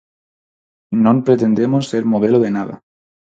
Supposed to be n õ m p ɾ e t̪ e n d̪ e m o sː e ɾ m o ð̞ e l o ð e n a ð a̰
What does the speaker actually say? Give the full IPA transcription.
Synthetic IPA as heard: n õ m p ɾ e t̪ e n d̪ e m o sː e ɾ m o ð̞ e l o ð e n a ð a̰